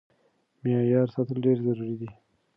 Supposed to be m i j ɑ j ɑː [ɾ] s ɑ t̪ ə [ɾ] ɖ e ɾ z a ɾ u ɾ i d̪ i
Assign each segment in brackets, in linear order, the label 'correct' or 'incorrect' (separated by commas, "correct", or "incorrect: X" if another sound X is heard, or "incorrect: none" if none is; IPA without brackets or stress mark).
correct, incorrect: l